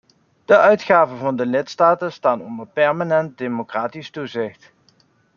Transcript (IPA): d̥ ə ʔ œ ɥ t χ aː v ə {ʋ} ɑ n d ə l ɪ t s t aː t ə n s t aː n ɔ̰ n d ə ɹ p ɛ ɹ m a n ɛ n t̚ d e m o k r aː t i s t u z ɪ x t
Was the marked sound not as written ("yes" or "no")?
yes